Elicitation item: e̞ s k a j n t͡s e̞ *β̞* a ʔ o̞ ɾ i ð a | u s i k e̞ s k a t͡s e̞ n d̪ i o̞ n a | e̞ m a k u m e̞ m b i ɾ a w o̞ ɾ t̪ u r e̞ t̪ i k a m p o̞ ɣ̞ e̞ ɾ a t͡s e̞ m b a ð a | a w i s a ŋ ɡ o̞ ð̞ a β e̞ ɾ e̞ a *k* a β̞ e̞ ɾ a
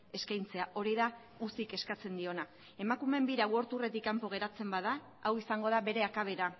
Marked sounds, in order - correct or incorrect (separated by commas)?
incorrect, correct